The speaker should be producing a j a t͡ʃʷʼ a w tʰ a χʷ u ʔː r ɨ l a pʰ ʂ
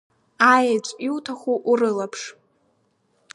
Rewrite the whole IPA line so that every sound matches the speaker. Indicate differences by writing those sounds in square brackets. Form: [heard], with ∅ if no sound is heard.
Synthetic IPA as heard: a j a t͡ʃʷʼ [i] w tʰ a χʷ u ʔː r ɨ l a pʰ ʂ